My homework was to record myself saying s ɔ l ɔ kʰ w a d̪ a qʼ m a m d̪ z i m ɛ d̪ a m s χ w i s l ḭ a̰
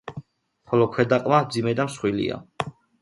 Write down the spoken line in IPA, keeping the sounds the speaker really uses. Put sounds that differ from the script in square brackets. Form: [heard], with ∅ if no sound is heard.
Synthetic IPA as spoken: [χ] ɔ l ɔ kʰ w [ɛ] d̪ a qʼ m a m d̪ z i m ɛ d̪ a m s χ w i [∅] l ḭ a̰